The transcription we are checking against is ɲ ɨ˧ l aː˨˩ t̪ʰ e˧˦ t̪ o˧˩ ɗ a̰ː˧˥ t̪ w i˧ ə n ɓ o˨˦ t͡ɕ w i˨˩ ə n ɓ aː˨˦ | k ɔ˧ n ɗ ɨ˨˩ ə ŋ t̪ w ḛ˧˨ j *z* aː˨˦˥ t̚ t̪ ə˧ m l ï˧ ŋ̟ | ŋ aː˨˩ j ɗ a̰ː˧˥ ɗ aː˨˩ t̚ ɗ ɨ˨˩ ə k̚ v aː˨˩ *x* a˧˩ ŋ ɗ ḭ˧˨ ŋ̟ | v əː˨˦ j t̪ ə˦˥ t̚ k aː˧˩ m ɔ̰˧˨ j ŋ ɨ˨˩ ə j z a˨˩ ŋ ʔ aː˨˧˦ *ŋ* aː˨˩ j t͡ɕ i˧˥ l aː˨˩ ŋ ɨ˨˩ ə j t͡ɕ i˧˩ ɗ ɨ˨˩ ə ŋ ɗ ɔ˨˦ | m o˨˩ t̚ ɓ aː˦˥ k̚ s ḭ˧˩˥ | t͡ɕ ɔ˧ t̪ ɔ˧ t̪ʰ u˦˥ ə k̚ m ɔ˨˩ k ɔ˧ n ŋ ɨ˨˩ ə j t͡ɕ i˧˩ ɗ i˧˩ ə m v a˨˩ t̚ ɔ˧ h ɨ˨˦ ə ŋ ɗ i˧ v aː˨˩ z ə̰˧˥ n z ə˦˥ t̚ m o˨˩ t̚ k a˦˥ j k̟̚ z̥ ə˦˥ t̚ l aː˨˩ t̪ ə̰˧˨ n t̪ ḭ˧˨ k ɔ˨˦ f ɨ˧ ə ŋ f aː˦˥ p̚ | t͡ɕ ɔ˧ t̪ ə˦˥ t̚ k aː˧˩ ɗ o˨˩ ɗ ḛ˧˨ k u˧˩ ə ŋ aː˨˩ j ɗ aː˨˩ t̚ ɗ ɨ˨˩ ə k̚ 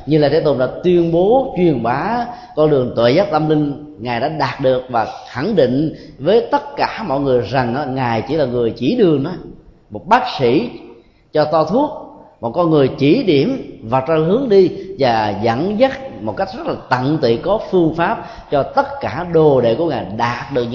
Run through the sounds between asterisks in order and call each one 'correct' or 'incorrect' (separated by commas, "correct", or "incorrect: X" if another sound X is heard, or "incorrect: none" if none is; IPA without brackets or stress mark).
correct, correct, correct